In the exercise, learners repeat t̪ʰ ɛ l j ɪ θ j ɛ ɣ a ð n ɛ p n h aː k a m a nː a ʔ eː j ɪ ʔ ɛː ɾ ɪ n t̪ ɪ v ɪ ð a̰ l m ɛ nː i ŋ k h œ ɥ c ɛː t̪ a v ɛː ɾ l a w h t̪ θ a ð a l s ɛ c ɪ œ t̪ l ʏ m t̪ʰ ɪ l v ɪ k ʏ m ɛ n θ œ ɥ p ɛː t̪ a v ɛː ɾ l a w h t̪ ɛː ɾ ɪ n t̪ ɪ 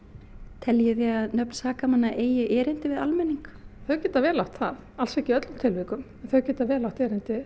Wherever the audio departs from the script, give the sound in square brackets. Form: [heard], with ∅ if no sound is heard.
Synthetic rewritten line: t̪ʰ ɛ l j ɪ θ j ɛ ɣ a ð n [œ] p n [s] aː k a m a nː a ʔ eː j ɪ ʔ ɛː ɾ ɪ n t̪ ɪ v ɪ ð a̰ l m ɛ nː i ŋ k [θ] œ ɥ c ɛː t̪ a v ɛː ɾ l a w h t̪ θ a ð a l s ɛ c ɪ œ t̪ l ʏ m t̪ʰ ɪ l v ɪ k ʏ m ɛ n θ œ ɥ [c] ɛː t̪ a v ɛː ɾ l a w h t̪ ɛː ɾ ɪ n t̪ ɪ